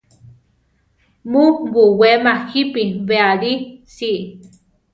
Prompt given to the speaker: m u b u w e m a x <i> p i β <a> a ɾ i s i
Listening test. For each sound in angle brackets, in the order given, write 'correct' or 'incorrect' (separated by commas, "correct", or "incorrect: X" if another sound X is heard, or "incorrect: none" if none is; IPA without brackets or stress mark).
correct, incorrect: e